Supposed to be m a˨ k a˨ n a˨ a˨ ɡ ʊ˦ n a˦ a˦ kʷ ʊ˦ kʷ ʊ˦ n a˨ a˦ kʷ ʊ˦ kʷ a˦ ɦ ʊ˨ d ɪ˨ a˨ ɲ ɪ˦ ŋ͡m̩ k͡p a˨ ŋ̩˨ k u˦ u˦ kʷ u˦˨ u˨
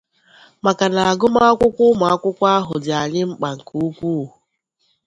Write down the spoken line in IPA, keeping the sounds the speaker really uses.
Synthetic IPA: m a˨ k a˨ n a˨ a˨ ɡ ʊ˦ m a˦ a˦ kʷ ʊ˦ kʷ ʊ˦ m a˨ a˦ kʷ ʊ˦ kʷ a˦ ɦ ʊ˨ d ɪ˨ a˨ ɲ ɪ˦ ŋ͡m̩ k͡p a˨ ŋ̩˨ k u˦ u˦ kʷ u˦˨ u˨